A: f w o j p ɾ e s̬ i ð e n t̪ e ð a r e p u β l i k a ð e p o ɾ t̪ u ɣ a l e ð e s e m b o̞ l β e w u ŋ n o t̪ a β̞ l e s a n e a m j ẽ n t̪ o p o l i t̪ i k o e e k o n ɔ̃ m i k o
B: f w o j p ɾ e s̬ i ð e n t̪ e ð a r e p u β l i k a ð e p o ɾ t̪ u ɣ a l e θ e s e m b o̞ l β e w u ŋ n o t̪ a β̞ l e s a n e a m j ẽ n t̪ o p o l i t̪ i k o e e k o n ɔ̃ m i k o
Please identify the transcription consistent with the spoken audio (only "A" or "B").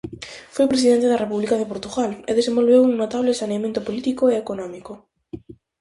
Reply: A